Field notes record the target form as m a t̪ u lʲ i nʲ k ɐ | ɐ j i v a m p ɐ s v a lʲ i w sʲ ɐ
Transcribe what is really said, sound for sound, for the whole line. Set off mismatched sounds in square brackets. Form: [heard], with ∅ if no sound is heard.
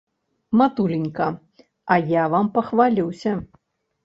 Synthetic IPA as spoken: m a t̪ u lʲ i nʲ k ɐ | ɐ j [a] v a m p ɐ [x] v a lʲ i w sʲ ɐ